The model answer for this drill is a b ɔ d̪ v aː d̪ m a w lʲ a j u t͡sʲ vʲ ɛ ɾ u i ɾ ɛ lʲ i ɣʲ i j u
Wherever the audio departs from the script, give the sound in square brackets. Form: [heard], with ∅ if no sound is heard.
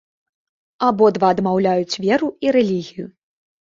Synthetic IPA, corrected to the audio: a b ɔ d̪ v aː d̪ m a w lʲ a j u t͡sʲ vʲ ɛ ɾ u i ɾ ɛ lʲ i ɣʲ i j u